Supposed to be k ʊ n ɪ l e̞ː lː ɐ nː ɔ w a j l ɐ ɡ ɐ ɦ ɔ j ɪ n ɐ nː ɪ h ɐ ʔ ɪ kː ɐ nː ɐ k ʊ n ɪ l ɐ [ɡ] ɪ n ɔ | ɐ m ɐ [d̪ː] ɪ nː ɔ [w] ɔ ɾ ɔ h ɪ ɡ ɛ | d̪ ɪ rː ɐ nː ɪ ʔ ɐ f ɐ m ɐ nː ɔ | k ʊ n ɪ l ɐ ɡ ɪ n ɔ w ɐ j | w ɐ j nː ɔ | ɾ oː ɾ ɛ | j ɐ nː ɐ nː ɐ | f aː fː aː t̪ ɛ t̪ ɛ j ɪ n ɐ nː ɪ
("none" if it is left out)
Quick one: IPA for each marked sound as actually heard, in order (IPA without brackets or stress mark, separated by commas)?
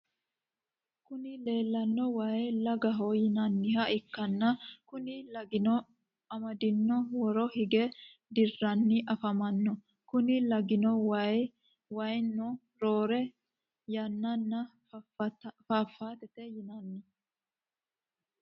ɡ, d̪, w